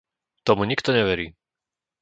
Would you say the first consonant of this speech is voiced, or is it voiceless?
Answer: voiceless